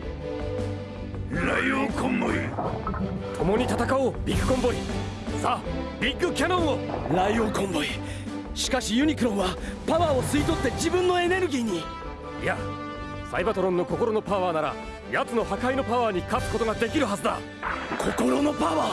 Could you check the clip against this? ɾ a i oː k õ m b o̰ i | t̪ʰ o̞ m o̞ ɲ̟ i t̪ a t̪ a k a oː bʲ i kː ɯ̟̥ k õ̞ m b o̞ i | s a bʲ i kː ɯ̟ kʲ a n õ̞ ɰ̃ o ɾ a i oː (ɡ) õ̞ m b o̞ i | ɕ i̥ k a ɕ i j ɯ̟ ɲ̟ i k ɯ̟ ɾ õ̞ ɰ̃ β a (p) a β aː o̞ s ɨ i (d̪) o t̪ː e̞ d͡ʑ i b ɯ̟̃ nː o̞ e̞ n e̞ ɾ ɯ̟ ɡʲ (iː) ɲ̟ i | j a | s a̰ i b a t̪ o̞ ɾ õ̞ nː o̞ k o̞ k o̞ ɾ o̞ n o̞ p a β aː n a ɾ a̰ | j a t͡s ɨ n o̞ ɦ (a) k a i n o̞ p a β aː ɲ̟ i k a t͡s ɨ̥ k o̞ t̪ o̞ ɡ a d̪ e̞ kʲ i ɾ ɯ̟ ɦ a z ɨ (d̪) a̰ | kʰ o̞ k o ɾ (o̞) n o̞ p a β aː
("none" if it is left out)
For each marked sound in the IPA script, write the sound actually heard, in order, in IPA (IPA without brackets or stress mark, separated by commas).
k, p, t̪, iː, a, d̪, o̞